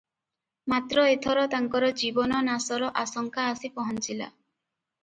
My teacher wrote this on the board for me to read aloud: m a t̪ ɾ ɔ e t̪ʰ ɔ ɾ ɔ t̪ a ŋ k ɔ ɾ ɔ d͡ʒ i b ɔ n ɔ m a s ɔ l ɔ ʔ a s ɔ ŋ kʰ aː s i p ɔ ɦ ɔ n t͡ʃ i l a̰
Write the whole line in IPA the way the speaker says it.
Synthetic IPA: m a t̪ ɾ ɔ e t̪ʰ ɔ ɾ ɔ t̪ a ŋ k ɔ ɾ ɔ d͡ʒ i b ɔ n ɔ n a s ɔ ɾ ɔ ʔ a s ɔ ŋ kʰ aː s i p ɔ ɦ ɔ n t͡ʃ i l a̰